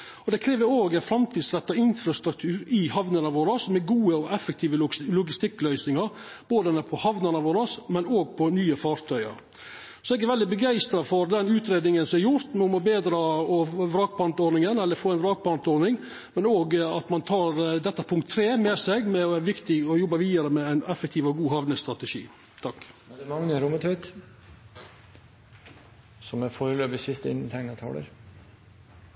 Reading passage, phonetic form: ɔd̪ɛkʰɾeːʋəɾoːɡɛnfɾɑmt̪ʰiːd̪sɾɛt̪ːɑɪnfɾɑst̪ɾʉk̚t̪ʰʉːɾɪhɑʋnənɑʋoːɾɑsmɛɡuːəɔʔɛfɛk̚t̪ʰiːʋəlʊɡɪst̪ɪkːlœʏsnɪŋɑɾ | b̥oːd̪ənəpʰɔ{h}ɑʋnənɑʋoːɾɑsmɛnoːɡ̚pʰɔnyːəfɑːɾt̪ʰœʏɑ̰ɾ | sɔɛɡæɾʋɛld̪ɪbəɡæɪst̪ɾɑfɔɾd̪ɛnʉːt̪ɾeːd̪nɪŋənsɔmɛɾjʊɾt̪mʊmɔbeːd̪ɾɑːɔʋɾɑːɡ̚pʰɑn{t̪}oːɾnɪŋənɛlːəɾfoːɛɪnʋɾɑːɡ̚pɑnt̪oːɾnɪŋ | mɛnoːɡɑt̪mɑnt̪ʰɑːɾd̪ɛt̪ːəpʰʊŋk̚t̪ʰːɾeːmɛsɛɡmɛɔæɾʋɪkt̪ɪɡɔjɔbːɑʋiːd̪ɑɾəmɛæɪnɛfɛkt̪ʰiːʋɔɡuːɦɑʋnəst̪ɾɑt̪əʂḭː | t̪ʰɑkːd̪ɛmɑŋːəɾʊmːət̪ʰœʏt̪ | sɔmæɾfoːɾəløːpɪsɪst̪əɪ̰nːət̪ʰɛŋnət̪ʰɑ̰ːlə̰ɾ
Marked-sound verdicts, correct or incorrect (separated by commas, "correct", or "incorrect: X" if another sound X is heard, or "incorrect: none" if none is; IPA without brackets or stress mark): correct, correct